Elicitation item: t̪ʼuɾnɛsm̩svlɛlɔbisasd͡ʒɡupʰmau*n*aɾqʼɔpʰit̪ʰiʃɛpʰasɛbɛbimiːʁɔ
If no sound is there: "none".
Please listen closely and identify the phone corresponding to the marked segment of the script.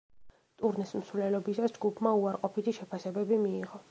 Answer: none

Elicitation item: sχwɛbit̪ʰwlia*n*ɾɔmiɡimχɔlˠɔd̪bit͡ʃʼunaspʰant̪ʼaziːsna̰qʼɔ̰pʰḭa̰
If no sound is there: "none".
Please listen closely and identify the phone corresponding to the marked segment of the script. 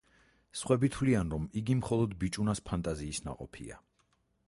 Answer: n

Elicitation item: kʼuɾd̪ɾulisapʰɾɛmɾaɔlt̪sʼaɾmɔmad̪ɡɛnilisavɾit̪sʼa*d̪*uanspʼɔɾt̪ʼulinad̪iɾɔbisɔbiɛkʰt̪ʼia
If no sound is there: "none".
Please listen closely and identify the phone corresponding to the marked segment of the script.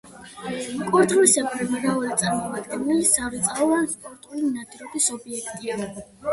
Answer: none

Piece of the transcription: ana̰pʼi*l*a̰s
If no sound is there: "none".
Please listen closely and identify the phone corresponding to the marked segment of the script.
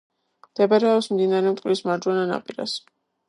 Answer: ɾ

